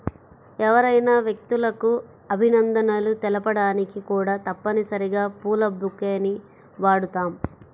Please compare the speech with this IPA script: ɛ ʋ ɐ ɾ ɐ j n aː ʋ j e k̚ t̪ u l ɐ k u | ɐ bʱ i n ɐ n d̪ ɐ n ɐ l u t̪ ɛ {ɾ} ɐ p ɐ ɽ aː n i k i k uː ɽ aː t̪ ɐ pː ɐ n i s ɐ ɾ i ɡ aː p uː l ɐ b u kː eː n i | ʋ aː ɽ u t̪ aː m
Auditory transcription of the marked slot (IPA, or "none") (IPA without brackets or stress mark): l